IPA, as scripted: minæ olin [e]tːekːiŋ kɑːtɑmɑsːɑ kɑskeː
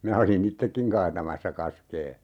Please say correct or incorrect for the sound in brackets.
incorrect